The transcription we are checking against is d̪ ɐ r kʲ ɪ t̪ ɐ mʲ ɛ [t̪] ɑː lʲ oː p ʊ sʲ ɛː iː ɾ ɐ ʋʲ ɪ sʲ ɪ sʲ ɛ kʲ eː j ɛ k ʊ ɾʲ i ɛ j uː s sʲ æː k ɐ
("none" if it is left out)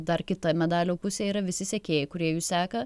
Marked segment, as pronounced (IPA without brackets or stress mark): d̪